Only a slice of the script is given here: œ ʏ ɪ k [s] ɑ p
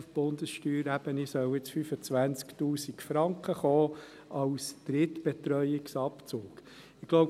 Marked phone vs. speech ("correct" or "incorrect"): correct